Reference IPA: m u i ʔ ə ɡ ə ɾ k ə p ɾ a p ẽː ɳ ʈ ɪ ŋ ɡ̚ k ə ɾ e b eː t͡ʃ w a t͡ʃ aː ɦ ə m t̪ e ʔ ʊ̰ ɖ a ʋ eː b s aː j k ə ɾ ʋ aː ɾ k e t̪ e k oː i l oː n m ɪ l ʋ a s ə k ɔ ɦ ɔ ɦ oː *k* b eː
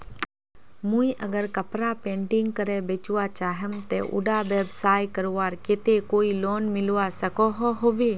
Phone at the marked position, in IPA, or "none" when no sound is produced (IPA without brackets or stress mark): none